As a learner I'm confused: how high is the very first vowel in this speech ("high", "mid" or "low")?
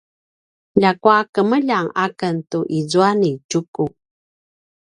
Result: low